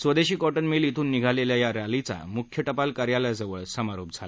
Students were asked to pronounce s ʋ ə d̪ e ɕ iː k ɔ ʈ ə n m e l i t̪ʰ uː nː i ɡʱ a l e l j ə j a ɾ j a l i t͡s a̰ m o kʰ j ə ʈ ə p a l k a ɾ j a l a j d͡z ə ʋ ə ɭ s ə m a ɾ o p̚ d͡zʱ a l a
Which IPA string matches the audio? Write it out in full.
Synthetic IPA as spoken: s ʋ ə d̪ e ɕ iː k ɔ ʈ ə n m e l i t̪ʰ uː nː i ɡʱ a l e l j a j a ɾ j a l i t͡s a̰ m u kʰ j ə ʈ ə p a l k a ɾ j a l a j d͡z ə ʋ ə ɭ s ə m a ɾ o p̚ d͡zʱ a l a